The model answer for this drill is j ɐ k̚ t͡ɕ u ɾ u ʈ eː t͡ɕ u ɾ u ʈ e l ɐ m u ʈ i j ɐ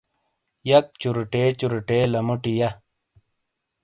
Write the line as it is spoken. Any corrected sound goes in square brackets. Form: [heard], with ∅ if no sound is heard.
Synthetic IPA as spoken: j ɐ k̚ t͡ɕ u ɾ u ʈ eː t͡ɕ u ɾ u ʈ e l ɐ m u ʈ i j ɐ